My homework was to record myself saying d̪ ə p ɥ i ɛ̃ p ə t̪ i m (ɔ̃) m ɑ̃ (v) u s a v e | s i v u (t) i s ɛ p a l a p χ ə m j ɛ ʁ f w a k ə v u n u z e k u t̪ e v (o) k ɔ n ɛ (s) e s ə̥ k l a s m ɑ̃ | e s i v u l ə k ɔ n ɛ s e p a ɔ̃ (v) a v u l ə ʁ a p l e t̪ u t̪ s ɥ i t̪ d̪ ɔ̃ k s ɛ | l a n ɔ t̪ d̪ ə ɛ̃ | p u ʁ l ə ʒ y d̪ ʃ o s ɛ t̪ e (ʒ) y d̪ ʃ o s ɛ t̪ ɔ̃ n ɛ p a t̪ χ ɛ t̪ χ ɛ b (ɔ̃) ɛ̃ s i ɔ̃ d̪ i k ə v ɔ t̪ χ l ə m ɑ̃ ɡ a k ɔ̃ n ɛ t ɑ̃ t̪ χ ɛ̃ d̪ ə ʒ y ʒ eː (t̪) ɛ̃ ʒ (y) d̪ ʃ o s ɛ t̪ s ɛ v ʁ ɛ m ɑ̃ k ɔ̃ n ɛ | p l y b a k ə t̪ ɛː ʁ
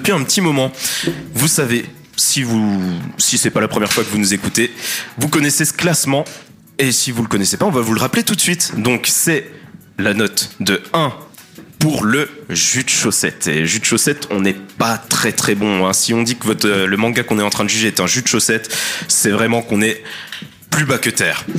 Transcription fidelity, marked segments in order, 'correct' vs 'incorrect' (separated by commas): incorrect, correct, incorrect, incorrect, correct, correct, correct, correct, correct, correct